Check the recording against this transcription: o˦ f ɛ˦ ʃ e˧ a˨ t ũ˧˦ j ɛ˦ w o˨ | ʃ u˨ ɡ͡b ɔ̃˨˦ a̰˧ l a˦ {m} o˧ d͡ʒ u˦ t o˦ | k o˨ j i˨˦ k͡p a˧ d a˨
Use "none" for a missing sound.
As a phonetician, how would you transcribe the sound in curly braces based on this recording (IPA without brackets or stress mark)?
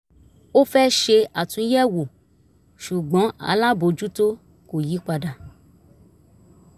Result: b